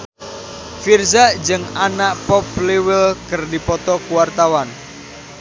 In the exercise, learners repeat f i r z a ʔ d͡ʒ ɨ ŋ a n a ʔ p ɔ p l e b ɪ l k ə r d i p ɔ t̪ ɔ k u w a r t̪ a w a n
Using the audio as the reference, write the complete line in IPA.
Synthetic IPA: f i r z a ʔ d͡ʒ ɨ ŋ a n a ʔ p ɔ p l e w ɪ l k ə r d i p ɔ t̪ ɔ k u w a r t̪ a w a n

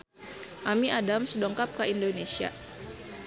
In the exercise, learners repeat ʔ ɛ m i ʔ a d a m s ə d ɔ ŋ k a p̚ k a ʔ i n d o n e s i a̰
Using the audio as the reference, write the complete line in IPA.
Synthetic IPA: ʔ a m i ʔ a d a m s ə d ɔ ŋ k a p̚ k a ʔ i n d o n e s i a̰

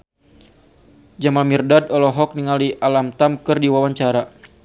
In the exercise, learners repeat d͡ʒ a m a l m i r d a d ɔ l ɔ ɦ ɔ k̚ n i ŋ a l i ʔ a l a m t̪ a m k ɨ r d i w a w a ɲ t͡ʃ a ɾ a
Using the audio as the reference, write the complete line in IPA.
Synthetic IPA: d͡ʒ a m a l m i r d a d ɔ l ɔ ɦ ɔ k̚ n i ŋ a l i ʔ a l a m t̪ a m k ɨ r d i w a w a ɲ t͡ʃ a ɾ a

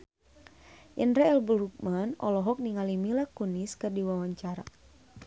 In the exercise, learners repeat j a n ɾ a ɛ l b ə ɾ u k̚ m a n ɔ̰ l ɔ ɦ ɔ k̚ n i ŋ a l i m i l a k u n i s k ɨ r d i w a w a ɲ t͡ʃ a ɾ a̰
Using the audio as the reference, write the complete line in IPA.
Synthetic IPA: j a n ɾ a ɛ l b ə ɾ u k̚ m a n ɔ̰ l ɔ ɦ ɔ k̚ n i ŋ a l i m i l a k u n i s k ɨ r d i w a w a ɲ t͡ʃ a ɾ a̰

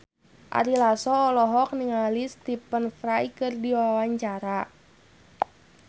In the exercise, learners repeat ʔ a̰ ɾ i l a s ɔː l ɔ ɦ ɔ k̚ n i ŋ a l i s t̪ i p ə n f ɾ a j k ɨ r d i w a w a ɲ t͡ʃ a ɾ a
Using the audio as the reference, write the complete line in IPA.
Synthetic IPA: ʔ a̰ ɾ i l a s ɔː l ɔ ɦ ɔ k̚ n i ŋ a l i s t̪ i p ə n f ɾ a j k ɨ r d i w a w a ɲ t͡ʃ a ɾ a

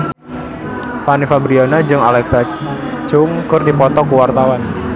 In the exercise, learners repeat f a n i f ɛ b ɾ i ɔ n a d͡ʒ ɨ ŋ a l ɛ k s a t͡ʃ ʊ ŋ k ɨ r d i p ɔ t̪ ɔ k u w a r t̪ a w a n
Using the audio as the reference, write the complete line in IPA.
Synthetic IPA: f a n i f a b ɾ i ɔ n a d͡ʒ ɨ ŋ a l ɛ k s a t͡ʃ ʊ ŋ k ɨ r d i p ɔ t̪ ɔ k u w a r t̪ a w a n

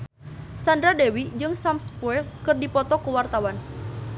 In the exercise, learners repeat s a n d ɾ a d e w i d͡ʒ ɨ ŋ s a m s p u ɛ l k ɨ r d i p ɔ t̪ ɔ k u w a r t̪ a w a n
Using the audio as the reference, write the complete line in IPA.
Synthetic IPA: s a n d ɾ a d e w i d͡ʒ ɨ ŋ s a m s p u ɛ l k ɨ r d i p ɔ t̪ ɔ k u w a r t̪ a w a n

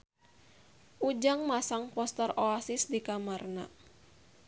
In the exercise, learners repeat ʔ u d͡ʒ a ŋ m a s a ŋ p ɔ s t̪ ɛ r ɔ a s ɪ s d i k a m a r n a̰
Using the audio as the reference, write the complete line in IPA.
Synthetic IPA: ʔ u d͡ʒ a ŋ m a s a ŋ p ɔ s t̪ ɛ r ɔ a s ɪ s d i k a m a r n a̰

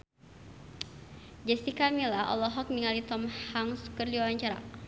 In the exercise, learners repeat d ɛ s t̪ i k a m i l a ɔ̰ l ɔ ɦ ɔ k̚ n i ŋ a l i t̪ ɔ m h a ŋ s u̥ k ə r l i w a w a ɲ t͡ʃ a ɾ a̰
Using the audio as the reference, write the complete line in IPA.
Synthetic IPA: d͡ʒ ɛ s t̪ i k a m i l a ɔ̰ l ɔ ɦ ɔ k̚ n i ŋ a l i t̪ ɔ m h a ŋ s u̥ k ə r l i w a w a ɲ t͡ʃ a ɾ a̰

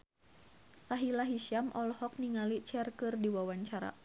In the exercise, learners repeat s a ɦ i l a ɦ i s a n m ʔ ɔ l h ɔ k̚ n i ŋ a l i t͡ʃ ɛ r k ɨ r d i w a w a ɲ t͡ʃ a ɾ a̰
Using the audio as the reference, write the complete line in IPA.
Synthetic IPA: s a ɦ i l a ɦ i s a m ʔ ɔ l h ɔ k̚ n i ŋ a l i t͡ʃ ɛ r k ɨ r d i w a w a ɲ t͡ʃ a ɾ a̰

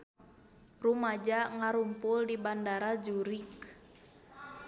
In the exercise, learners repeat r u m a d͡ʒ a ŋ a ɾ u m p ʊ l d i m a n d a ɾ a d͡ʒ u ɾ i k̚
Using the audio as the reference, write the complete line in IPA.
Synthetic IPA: r u m a d͡ʒ a ŋ a ɾ u m p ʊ l d i b a n d a ɾ a d͡ʒ u ɾ i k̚

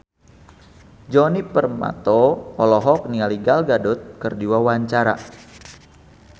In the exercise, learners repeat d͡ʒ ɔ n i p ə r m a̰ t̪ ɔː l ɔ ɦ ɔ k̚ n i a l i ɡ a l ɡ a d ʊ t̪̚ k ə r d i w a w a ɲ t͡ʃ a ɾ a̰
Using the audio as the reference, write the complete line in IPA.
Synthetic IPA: d͡ʒ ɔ n i p ə r m a̰ t̪ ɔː l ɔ ɦ ɔ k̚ n i a l i ɡ a l ɡ a d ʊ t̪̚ k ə r d i w a w a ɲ t͡ʃ a ɾ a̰

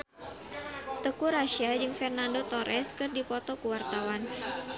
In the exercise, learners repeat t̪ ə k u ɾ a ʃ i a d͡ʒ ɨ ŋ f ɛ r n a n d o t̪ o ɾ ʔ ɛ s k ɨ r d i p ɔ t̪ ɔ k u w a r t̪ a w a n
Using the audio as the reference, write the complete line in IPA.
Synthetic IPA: t̪ ə k u ɾ a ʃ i a d͡ʒ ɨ ŋ f ɛ r n a n d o t̪ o ɾ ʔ ɛ s k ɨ r d i p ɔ t̪ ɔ k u w a r t̪ a w a n

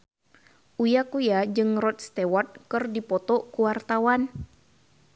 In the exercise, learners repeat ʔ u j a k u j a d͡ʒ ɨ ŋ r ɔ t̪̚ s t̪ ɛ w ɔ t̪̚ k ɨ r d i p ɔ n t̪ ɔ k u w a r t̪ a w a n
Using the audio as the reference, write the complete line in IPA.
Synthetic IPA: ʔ u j a k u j a d͡ʒ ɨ ŋ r ɔ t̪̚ s t̪ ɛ w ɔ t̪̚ k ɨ r d i p ɔ t̪ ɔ k u w a r t̪ a w a n

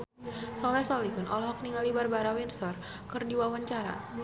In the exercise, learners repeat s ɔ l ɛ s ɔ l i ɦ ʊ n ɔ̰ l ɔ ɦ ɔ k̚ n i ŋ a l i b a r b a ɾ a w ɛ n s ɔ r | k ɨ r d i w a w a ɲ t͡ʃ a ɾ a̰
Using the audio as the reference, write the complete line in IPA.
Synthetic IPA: s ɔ l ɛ s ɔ l i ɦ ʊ n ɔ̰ l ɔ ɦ ɔ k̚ n i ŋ a l i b a r b a ɾ a w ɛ n s ɔ r | k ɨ r d i w a w a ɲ t͡ʃ a ɾ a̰

